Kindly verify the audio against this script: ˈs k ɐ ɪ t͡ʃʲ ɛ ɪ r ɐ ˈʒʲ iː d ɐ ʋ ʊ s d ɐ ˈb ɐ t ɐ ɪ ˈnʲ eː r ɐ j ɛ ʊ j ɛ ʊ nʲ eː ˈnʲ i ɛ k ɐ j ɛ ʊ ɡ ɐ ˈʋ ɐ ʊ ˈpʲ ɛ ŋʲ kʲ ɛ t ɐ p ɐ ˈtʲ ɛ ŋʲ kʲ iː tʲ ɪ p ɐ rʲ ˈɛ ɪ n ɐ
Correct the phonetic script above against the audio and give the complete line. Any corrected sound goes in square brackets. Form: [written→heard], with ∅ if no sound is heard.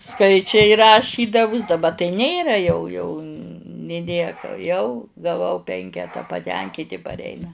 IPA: ˈs k ɐ ɪ t͡ʃʲ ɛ ɪ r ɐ [ˈʒʲ→ˈʃʲ] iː d ɐ ʋ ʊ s d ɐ ˈb ɐ t ɐ ɪ ˈnʲ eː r ɐ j ɛ ʊ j ɛ ʊ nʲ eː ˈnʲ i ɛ k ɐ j ɛ ʊ ɡ ɐ ˈʋ ɐ ʊ ˈpʲ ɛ ŋʲ kʲ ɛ t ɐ p ɐ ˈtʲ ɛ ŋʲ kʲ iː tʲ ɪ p ɐ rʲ ˈɛ ɪ n ɐ